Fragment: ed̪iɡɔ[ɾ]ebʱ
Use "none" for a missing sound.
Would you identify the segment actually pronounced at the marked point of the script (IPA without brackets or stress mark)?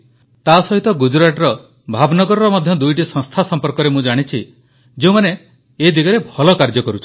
ɾ